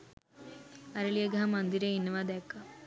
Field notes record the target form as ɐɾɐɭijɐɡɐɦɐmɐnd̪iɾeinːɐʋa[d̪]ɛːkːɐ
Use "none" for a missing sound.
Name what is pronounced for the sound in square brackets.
d̪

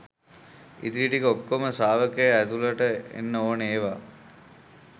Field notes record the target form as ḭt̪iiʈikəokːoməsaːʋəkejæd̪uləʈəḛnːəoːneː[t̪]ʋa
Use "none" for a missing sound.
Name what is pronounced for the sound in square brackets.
none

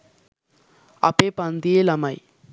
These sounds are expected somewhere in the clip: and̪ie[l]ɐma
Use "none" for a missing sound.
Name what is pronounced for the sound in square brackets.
l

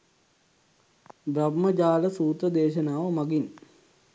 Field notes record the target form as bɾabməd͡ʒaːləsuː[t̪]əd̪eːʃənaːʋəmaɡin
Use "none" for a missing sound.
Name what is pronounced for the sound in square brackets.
t̪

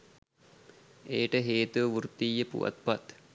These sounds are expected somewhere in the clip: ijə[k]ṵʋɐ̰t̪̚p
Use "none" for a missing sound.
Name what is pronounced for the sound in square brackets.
p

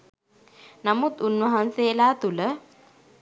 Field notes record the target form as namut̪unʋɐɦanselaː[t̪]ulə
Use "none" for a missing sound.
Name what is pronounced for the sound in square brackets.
t̪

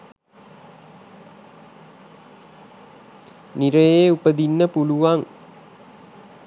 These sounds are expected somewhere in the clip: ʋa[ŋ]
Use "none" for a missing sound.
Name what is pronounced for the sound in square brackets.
ŋ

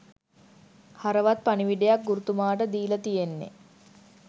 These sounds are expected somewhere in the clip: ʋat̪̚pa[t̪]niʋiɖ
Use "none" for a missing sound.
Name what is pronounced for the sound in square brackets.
none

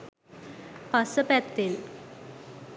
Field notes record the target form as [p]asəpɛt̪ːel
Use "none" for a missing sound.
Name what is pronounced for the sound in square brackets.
p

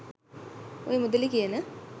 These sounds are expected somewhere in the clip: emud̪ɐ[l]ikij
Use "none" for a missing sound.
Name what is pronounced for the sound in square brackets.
l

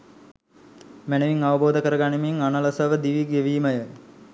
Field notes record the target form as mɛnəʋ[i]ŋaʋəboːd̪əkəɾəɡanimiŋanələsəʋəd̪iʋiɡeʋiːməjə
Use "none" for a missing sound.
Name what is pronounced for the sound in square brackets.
i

